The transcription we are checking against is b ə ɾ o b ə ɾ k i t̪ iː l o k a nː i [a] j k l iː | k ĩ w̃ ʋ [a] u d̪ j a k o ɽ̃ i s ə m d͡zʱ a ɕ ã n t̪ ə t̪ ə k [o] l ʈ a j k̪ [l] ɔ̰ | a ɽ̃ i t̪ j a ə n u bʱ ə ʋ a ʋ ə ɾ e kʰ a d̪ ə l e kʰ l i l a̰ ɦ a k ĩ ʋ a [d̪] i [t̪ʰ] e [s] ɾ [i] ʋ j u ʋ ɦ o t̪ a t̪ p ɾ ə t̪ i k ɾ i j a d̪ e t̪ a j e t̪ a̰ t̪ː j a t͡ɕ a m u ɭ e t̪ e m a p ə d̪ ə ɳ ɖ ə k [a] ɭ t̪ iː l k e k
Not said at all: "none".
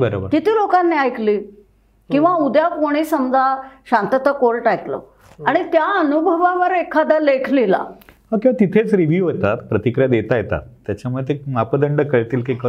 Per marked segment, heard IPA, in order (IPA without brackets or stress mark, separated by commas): a, a, o, l, t̪, t̪ʰ, t͡s, i, ə